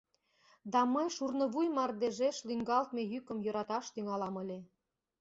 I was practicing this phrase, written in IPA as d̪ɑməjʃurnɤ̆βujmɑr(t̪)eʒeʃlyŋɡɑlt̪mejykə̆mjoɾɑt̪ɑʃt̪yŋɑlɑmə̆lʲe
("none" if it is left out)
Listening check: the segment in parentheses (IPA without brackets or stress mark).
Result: d̪